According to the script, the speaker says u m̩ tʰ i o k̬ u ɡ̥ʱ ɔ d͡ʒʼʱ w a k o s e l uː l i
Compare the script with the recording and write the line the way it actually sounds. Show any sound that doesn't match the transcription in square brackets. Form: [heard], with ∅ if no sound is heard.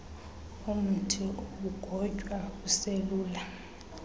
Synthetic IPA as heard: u m̩ tʰ i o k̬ u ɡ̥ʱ ɔ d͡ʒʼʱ w a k [u] s e l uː l [a]